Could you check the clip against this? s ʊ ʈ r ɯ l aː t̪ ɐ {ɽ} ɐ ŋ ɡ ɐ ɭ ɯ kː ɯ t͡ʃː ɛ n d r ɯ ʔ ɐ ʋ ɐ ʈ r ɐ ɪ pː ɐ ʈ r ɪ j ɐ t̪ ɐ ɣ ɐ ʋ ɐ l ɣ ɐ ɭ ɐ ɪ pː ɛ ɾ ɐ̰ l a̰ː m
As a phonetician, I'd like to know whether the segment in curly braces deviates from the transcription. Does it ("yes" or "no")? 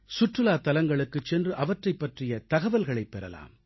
yes